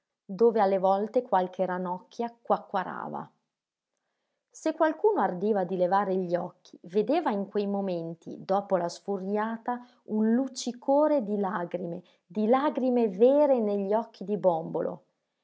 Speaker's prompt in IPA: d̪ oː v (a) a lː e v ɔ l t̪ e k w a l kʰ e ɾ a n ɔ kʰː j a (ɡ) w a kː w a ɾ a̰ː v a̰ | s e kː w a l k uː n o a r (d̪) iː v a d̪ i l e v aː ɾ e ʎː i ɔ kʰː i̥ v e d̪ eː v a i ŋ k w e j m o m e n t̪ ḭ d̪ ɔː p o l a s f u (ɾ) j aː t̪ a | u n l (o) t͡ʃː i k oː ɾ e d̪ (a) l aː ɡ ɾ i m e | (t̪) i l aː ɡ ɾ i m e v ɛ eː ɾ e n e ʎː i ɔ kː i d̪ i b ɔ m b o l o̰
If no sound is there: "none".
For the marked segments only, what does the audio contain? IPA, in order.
e, k, d̪, r, u, i, d̪

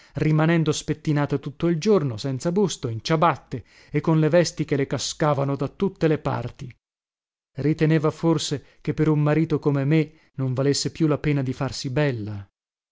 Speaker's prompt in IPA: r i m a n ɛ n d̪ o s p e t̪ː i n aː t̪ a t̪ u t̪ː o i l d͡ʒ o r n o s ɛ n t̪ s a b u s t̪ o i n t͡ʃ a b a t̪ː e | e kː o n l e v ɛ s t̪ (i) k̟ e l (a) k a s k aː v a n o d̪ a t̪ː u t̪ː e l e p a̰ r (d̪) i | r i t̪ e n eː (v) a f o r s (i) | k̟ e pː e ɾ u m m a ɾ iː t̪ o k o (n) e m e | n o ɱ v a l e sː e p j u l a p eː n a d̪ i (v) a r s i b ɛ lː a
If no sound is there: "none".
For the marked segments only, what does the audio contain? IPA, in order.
i, e, t̪, v, e, m, f

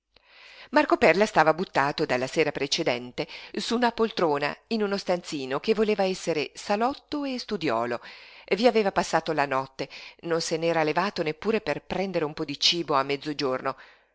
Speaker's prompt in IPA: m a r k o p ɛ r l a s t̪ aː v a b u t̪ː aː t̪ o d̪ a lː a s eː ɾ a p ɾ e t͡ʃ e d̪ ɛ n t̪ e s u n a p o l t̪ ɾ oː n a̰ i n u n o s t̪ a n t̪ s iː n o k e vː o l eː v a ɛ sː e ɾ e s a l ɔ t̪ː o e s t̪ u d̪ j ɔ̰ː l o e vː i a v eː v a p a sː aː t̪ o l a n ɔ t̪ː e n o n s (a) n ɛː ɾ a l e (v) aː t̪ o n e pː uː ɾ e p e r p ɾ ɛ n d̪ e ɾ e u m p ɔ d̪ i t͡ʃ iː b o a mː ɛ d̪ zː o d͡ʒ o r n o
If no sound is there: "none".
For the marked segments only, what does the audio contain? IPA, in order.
e, v

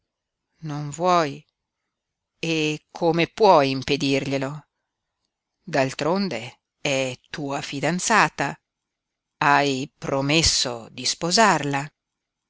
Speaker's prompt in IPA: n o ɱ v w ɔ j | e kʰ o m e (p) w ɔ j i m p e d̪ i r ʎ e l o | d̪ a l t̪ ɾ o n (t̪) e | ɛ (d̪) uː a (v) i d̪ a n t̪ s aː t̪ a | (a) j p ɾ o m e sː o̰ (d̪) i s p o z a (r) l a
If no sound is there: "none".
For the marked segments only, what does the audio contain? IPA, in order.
p, d̪, t̪, f, a, d̪, r

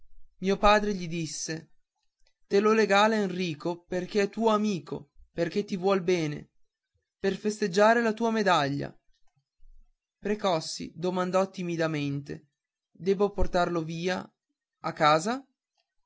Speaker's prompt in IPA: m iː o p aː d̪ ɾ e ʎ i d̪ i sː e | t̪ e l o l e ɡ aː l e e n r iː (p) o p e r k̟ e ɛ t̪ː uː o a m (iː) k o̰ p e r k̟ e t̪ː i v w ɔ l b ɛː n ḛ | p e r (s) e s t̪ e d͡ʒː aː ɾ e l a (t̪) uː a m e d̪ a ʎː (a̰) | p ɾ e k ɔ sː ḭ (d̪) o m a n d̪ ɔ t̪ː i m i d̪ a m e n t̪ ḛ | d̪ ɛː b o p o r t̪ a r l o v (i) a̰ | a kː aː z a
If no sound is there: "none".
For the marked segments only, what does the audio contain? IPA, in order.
k, iː, f, t̪, a̰, d̪, iː

